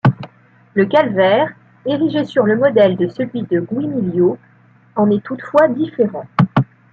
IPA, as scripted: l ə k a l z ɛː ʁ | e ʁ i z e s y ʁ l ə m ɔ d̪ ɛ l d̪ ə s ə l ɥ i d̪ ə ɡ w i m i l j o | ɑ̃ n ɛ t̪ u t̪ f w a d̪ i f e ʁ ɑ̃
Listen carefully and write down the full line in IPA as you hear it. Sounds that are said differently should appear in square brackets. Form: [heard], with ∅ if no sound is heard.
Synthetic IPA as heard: l ə k a l [v] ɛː ʁ | e ʁ i [ʒ] e s y ʁ l ə m ɔ d̪ ɛ l d̪ ə s ə l ɥ i d̪ ə ɡ w i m i l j o | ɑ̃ n ɛ t̪ u t̪ f w a d̪ i f e ʁ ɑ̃